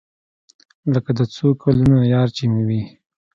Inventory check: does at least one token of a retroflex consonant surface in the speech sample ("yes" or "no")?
no